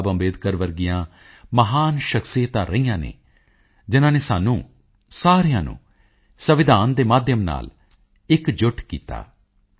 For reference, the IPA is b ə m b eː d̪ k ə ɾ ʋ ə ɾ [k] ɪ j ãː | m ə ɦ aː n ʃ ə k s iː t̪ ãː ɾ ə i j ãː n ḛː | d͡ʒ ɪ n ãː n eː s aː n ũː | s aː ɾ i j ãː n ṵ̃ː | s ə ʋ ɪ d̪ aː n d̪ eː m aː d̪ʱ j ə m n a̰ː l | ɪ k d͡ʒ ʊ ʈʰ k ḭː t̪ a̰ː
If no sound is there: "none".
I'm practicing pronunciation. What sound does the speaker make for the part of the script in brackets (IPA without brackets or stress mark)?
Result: ɡ